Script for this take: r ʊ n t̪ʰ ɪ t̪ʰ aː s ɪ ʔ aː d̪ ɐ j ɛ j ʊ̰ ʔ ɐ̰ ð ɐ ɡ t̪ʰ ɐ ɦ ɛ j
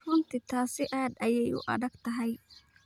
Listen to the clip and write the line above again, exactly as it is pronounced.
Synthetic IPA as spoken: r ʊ n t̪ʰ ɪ t̪ʰ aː s ɪ ʔ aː d̪ ɐ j ɛ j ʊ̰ ʔ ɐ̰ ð ɐ ɡ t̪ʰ ɐ ɦ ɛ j